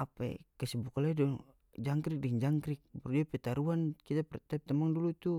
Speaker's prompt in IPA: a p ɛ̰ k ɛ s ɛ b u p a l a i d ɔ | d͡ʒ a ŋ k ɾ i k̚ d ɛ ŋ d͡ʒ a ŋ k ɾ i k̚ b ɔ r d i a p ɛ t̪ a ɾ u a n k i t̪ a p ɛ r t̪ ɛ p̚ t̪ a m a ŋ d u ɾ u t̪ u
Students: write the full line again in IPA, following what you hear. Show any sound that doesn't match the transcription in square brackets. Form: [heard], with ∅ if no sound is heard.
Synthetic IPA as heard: a p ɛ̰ k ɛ s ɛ b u [k] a l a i d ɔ | d͡ʒ a ŋ k ɾ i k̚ d ɛ ŋ d͡ʒ a ŋ k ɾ i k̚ b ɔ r d i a p ɛ t̪ a ɾ u a n k i t̪ a p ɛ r t̪ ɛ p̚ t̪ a m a ŋ d u [l] u t̪ u